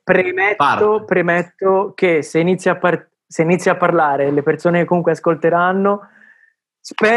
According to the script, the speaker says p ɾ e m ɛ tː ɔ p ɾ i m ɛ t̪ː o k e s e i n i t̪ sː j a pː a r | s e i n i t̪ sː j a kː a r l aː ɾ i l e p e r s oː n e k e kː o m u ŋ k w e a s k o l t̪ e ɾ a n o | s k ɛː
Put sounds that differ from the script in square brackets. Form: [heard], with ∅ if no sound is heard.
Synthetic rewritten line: p ɾ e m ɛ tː [o] p ɾ [e] m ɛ t̪ː o k e s e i n i t̪ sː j a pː a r | s e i n i t̪ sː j a [pː] a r l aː ɾ [e] l e p e r s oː n e k e kː o m u ŋ k w e a s k o l t̪ e ɾ a [nː] o | s [p] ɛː